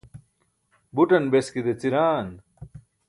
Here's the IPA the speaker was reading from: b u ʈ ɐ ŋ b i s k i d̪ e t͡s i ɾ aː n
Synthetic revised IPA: b u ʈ ɐ n b e s k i d̪ e t͡s i ɾ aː n